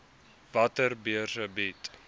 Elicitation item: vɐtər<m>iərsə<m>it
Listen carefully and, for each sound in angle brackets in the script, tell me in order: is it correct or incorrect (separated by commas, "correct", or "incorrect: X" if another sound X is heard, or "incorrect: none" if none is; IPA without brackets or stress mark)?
incorrect: b, incorrect: b